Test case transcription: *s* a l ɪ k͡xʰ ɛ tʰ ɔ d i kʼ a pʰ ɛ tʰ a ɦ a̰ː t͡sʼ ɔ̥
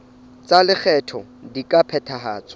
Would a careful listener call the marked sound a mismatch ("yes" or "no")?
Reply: yes